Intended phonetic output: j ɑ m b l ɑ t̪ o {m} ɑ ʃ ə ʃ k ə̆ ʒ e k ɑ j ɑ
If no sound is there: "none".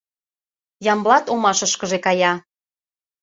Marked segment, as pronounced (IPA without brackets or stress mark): m